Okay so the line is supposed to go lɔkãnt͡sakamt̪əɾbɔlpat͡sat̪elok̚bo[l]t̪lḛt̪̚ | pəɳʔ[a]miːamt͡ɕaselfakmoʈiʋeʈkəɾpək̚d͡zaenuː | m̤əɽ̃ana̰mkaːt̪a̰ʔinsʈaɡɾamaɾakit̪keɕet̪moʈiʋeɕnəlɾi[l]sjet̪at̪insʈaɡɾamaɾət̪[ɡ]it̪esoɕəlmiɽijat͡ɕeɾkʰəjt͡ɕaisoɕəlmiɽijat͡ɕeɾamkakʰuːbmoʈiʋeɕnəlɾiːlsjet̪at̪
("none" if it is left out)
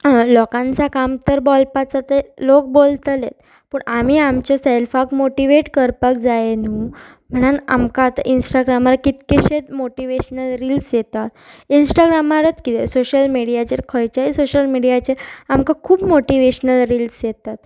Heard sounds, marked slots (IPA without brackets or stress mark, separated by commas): l, a, l, k